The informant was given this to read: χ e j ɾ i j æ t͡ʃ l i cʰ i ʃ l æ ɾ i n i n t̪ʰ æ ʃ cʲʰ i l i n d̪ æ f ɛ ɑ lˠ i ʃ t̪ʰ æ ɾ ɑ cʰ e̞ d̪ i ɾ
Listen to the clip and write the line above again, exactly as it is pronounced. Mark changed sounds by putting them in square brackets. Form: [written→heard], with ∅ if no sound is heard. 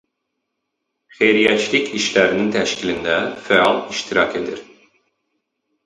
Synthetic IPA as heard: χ e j ɾ i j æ t͡ʃ l i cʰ i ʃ l æ ɾ i n i n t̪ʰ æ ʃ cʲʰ i l i n d̪ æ f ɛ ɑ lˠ i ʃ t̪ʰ [æ→i] ɾ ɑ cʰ e̞ d̪ i ɾ